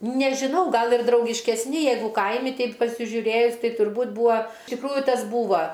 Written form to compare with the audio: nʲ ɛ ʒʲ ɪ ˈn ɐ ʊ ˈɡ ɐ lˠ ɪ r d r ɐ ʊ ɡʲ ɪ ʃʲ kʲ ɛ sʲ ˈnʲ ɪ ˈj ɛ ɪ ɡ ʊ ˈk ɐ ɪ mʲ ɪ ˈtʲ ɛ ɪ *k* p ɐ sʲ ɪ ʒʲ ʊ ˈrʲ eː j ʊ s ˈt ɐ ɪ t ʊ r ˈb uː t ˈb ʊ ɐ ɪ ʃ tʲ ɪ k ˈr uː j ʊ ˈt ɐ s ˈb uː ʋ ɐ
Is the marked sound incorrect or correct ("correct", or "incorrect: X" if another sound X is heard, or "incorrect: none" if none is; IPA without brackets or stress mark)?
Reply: incorrect: p